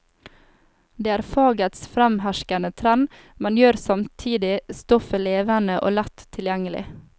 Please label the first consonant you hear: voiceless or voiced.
voiced